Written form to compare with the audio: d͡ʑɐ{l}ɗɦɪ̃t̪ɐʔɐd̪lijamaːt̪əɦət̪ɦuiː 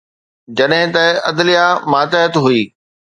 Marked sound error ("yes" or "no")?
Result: yes